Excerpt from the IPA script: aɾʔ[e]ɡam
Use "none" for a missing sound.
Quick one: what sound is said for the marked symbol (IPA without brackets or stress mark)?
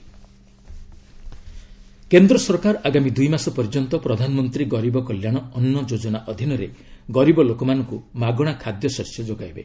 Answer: a